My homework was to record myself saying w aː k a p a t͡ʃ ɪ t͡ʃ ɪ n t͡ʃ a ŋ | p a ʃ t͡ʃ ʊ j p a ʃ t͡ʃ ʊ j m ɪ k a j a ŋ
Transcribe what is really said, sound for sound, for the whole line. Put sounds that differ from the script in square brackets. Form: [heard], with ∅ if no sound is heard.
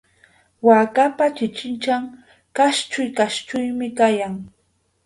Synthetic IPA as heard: w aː k a p a t͡ʃ ɪ t͡ʃ ɪ n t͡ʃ a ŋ | [k] a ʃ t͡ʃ ʊ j [k] a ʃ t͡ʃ ʊ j m ɪ k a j a ŋ